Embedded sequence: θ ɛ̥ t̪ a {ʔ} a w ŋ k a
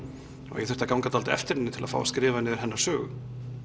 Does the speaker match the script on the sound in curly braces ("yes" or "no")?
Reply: no